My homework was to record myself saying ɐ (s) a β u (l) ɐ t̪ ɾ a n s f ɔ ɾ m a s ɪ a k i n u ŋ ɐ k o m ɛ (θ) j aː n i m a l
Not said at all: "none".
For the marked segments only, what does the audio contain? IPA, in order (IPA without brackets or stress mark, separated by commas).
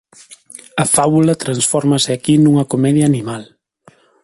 f, l, ð